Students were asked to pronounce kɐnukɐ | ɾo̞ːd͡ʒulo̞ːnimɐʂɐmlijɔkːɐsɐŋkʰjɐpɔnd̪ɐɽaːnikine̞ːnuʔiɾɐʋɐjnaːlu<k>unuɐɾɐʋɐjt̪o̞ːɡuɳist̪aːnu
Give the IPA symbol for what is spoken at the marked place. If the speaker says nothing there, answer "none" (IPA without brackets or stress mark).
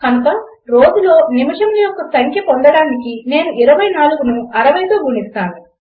ɡ